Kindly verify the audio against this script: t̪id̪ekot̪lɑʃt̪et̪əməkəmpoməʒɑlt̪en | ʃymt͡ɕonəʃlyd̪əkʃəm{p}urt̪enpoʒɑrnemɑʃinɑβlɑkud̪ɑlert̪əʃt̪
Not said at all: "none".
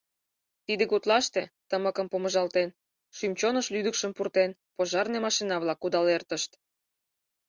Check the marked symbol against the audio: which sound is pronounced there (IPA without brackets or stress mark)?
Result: p